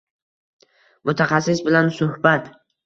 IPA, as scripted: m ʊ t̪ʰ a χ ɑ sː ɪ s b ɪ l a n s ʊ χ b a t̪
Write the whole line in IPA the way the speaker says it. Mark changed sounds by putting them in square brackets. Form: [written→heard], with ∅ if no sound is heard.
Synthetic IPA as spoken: m ʊ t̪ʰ a χ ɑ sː ɪ s b ɪ l a n s ʊ [χ→h] b a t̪